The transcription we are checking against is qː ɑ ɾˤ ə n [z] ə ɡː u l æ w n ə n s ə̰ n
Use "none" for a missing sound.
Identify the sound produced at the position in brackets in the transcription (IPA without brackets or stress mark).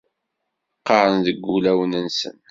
ð